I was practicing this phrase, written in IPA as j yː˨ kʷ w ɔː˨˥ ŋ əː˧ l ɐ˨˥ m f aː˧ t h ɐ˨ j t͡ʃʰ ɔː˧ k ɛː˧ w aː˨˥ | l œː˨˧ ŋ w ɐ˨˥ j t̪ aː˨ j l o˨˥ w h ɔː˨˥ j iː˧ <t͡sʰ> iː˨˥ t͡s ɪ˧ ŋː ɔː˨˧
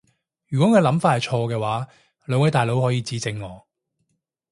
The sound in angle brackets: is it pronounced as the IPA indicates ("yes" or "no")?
no